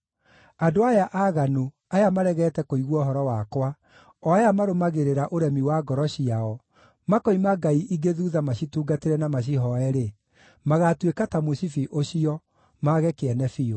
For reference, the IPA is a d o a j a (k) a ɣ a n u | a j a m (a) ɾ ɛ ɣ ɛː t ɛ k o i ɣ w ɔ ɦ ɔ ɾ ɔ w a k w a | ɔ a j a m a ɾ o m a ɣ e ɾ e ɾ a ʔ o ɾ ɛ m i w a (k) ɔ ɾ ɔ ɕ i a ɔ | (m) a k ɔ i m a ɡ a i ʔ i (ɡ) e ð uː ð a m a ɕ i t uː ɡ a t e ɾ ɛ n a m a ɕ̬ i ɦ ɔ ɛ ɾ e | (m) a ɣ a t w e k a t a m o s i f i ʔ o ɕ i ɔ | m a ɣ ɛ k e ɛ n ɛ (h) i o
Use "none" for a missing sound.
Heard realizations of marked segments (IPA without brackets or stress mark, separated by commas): ʔ, a, ɡ, m, ɡ, m, f